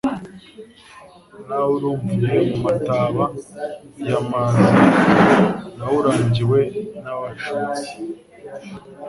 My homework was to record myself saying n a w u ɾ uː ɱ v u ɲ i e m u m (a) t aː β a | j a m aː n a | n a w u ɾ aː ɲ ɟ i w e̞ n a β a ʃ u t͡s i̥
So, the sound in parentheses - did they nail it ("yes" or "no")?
yes